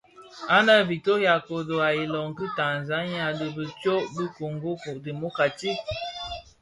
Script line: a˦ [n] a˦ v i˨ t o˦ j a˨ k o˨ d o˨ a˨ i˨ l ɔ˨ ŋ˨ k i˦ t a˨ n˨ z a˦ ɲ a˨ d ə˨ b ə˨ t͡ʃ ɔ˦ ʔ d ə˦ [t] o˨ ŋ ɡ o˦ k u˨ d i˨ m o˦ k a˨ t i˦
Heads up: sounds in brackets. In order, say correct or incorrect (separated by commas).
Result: correct, incorrect